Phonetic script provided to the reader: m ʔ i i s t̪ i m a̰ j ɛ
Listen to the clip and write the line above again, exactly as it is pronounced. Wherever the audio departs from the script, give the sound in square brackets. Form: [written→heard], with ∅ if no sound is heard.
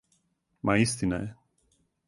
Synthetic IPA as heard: m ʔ [i→a] i s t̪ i [m→n] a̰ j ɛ